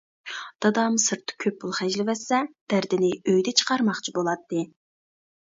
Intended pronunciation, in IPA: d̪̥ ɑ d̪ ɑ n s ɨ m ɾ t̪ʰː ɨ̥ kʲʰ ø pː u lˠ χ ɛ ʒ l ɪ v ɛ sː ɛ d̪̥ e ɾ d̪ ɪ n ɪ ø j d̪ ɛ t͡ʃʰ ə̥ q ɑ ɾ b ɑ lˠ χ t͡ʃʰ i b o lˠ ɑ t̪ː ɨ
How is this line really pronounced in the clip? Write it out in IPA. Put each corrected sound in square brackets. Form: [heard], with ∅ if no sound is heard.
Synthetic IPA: d̪̥ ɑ d̪ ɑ [m] s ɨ [∅] ɾ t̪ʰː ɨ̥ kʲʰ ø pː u lˠ χ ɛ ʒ l ɪ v ɛ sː ɛ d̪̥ [æ] ɾ d̪ ɪ n ɪ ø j d̪ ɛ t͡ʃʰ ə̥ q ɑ ɾ [m] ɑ [∅] χ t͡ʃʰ i b o lˠ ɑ t̪ː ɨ